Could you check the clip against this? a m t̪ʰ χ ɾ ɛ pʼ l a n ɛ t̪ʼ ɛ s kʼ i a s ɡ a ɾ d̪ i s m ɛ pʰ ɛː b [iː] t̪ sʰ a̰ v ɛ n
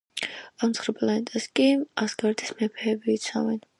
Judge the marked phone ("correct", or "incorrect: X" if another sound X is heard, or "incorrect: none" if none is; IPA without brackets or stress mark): correct